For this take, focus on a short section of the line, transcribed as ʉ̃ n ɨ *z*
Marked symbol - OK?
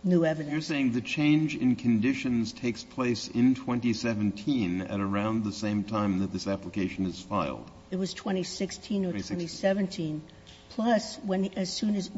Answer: yes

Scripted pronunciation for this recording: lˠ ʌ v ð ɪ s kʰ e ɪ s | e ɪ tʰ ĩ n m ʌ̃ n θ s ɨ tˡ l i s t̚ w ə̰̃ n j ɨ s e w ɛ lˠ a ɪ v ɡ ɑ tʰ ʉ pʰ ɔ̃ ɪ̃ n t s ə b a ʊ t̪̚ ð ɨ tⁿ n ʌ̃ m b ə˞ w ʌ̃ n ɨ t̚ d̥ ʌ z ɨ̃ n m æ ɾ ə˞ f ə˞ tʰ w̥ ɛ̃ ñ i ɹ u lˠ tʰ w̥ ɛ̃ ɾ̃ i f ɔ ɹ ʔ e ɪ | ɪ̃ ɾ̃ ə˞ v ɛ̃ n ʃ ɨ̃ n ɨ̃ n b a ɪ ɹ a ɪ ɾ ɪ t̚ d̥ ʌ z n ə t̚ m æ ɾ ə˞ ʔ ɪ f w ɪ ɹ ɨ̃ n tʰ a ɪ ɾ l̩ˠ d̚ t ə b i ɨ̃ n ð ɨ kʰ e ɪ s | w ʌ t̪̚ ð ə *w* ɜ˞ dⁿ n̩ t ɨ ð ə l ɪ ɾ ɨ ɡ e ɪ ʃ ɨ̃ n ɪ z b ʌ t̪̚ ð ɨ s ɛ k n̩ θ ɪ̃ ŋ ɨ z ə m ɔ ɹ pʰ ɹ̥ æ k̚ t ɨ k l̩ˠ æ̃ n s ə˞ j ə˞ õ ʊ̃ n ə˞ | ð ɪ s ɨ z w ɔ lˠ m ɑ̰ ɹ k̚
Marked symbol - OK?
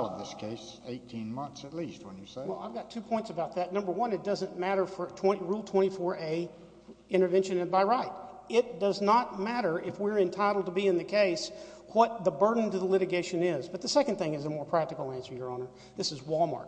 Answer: no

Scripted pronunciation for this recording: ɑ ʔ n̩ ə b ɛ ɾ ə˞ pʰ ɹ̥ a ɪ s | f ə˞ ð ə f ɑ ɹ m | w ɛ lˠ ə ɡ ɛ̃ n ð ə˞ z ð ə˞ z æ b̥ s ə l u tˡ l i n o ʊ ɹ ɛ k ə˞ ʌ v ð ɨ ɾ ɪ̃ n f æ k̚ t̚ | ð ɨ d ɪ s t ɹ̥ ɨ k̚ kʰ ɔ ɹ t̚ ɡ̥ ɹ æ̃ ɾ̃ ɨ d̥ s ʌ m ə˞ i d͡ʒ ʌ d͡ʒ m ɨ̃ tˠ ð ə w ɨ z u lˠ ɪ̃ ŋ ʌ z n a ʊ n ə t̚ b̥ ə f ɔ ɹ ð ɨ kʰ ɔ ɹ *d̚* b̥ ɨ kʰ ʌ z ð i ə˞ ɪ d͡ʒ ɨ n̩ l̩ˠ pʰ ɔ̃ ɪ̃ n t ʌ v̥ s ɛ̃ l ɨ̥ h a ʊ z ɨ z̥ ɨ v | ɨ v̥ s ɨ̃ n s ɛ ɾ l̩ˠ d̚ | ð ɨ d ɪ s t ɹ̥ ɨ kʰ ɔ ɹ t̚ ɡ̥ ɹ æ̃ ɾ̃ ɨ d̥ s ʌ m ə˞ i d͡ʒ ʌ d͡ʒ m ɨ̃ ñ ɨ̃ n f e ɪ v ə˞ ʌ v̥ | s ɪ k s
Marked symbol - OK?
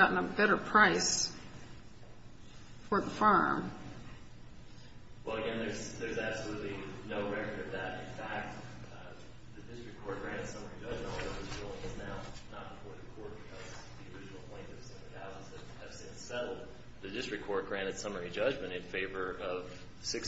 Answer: no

